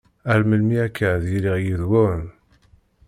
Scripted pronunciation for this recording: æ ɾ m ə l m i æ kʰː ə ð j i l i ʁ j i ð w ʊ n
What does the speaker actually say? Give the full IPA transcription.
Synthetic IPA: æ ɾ m ə l m i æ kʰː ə ð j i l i ʁ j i ð w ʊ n